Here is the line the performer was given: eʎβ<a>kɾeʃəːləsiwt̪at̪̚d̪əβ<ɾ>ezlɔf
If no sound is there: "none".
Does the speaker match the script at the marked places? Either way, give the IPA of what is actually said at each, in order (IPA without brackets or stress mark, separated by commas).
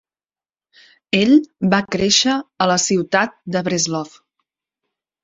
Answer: a, ɾ